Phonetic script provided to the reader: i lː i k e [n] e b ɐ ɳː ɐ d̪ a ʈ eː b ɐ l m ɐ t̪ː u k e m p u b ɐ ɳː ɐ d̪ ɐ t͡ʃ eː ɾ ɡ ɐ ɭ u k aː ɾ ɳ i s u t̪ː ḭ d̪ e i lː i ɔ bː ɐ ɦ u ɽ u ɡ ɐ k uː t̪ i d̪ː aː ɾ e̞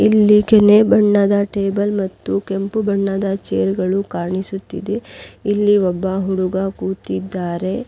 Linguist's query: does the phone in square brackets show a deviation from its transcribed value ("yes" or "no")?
no